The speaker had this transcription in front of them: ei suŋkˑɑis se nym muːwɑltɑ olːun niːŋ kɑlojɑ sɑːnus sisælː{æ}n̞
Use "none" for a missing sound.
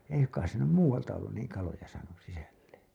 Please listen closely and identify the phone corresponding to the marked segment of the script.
e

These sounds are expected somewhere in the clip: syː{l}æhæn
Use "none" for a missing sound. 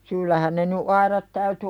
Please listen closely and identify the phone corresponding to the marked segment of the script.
lː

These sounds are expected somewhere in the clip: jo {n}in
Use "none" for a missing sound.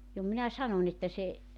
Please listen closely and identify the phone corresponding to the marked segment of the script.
m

